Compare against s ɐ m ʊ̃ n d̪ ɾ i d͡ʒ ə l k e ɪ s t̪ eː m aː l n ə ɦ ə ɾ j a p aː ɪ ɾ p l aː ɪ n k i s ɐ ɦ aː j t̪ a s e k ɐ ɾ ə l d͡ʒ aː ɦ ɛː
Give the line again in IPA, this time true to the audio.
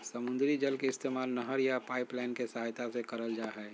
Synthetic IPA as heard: s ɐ m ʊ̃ n d̪ ɾ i d͡ʒ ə l k e ɪ s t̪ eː m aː l n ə ɦ ə ɾ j a p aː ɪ p l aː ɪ n k e s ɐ ɦ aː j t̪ a s e k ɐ ɾ ə l d͡ʒ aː ɦ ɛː